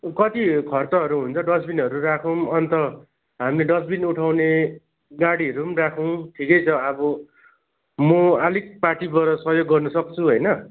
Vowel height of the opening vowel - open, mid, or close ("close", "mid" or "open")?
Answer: mid